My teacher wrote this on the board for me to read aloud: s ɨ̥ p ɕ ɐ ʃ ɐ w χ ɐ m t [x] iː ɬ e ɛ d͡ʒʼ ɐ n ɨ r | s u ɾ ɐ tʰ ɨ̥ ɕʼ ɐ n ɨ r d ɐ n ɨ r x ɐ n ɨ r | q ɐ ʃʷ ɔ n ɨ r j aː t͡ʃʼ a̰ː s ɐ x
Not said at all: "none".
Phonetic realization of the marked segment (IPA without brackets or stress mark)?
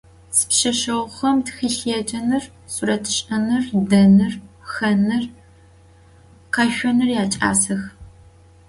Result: x